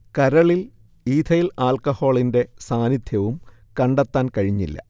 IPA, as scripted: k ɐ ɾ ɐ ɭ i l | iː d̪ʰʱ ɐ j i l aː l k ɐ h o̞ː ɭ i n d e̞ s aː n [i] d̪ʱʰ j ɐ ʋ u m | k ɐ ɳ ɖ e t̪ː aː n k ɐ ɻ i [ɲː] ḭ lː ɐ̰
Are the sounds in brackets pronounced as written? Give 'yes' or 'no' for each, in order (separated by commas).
yes, yes